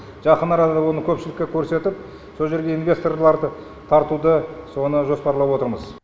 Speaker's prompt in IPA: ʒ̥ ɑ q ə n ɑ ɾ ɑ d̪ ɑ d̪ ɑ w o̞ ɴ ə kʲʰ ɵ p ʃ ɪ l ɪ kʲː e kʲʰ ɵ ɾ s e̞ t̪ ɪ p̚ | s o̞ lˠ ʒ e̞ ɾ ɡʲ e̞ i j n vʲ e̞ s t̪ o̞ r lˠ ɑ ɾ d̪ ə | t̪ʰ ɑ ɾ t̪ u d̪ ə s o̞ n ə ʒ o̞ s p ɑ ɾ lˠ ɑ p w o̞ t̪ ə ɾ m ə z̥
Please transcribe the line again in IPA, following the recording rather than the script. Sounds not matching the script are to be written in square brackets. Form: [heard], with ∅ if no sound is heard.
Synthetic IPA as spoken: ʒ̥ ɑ q ə n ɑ ɾ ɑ d̪ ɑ d̪ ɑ w o̞ [n] ə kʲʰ ɵ p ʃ ɪ l ɪ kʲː e kʲʰ ɵ ɾ s e̞ t̪ ɪ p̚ | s o̞ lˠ ʒ e̞ ɾ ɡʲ e̞ i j n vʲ e̞ s t̪ o̞ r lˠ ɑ ɾ d̪ ə | t̪ʰ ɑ ɾ t̪ u d̪ ə s o̞ n ə ʒ o̞ s p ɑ ɾ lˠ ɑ p w o̞ t̪ ə ɾ m ə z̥